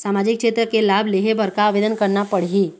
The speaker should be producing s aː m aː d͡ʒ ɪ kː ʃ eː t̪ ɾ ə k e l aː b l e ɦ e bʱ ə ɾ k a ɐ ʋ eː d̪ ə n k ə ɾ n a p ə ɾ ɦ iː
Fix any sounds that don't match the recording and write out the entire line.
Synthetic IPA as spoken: s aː m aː d͡ʒ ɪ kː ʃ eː t̪ ɾ ə k e l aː b l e ɦ e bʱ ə ɾ k a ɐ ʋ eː d̪ ə n k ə ɾ n a p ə ɽ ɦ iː